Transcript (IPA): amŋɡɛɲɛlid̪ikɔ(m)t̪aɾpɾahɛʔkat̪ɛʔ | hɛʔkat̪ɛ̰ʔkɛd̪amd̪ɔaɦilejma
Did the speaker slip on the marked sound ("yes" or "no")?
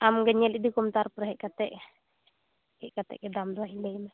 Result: no